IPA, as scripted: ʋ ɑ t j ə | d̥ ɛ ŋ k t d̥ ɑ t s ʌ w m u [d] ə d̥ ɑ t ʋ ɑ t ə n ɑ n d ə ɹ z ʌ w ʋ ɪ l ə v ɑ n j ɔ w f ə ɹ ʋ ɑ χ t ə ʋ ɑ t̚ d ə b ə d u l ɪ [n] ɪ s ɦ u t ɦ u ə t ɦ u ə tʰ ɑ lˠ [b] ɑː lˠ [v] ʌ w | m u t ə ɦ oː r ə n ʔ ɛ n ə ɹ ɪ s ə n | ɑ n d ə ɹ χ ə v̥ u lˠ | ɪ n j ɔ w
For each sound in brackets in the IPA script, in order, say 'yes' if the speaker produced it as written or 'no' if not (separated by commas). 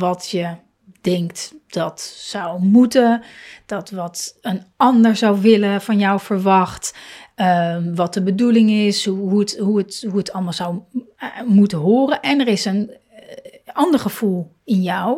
no, no, no, no